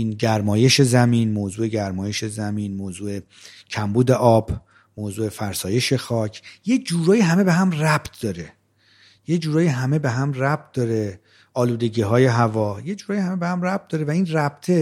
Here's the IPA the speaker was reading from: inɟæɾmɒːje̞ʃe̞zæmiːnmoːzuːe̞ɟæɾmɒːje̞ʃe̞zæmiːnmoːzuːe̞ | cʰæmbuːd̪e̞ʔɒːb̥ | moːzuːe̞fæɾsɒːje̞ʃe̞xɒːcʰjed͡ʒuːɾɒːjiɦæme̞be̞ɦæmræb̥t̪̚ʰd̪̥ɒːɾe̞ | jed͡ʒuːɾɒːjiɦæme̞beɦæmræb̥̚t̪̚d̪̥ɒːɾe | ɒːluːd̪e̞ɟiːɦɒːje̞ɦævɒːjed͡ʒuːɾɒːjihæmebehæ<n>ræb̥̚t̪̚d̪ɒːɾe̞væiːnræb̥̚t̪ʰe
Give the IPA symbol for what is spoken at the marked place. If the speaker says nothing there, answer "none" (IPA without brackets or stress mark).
m